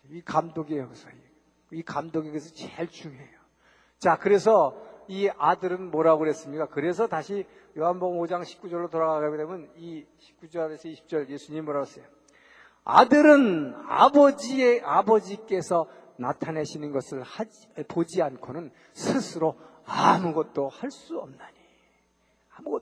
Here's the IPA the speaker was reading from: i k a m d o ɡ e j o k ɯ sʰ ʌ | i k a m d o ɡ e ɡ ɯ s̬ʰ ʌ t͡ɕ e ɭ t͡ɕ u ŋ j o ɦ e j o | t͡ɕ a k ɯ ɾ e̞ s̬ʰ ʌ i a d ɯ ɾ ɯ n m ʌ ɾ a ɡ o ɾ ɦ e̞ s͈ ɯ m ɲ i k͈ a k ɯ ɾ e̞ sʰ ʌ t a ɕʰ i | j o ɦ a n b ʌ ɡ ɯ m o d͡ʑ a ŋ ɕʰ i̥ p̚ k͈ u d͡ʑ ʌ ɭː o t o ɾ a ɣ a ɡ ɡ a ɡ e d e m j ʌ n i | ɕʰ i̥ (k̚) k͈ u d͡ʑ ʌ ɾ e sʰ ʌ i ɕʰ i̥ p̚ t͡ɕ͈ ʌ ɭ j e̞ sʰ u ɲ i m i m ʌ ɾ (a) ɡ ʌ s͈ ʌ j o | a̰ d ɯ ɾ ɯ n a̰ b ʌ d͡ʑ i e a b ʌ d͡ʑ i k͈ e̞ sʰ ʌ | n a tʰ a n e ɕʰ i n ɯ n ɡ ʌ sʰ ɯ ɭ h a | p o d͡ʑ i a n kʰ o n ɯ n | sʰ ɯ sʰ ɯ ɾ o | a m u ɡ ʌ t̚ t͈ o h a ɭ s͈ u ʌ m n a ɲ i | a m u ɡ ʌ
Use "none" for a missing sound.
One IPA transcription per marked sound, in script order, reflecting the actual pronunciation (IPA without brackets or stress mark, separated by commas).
p̚, a